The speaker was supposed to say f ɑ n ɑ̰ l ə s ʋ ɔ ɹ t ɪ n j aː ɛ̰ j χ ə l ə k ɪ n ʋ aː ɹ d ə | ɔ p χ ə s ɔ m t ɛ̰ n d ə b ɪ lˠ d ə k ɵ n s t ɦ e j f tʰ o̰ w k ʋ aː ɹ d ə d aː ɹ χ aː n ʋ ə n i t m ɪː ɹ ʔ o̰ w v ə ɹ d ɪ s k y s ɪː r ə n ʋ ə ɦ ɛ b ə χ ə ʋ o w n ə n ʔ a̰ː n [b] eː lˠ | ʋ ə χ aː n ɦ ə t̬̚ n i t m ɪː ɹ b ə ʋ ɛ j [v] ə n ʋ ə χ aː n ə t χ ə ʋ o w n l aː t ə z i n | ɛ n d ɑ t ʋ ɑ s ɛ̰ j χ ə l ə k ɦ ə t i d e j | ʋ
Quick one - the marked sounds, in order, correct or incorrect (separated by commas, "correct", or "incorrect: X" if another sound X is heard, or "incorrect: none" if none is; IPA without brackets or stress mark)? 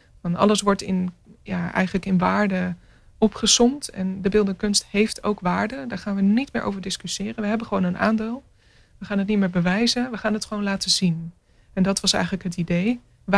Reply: incorrect: d, incorrect: z